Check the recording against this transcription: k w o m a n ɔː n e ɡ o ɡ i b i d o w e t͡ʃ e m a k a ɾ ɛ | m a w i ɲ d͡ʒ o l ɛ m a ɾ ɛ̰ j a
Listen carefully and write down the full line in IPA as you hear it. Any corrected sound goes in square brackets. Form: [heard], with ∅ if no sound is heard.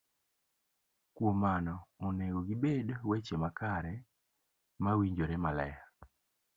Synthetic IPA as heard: k w o m a n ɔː n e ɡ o ɡ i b [e] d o w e t͡ʃ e m a k a ɾ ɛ | m a w i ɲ d͡ʒ o [ɾ] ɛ m a [l] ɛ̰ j a